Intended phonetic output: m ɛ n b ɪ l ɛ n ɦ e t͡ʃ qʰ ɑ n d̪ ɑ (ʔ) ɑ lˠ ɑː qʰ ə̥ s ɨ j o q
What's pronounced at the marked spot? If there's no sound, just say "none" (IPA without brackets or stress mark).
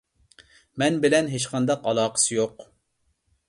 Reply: q